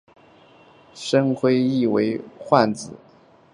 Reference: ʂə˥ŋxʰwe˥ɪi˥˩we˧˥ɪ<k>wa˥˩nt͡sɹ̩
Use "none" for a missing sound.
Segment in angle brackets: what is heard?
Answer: x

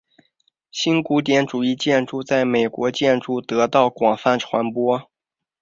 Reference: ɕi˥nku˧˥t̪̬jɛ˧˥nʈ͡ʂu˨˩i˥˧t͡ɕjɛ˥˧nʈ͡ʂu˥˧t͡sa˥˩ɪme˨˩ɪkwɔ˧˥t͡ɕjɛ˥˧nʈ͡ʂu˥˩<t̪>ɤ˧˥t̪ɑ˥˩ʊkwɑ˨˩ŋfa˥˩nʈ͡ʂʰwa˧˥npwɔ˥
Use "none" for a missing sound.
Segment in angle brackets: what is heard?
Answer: t̪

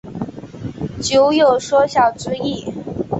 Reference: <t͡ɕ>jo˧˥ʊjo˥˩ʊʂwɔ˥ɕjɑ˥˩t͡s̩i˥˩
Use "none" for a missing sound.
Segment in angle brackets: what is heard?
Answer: t͡ɕ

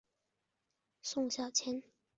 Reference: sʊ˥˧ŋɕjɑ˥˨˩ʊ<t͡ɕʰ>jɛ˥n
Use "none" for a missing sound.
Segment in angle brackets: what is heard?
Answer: t͡ɕʰ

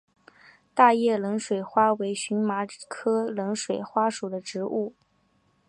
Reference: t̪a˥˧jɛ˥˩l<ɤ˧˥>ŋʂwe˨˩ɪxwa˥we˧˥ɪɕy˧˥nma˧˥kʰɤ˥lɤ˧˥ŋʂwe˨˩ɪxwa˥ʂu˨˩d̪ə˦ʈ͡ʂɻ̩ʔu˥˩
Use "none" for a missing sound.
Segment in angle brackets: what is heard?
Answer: ɤ˧˥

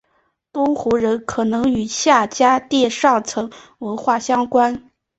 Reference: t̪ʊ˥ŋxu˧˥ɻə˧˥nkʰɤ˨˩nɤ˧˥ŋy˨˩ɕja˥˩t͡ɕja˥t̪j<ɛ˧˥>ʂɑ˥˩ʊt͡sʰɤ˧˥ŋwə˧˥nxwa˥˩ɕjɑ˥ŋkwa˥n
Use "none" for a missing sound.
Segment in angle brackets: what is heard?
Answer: ɛ˥˧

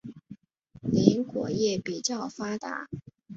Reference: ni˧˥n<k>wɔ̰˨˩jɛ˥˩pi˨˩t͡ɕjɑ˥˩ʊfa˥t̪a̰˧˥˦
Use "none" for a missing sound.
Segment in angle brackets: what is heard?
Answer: k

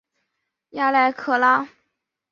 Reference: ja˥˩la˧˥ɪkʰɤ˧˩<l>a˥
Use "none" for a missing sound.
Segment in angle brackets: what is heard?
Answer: l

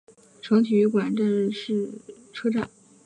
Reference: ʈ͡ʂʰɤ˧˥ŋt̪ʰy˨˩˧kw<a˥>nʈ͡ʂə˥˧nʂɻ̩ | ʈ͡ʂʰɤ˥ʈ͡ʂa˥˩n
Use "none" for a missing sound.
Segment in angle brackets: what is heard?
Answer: a˨˩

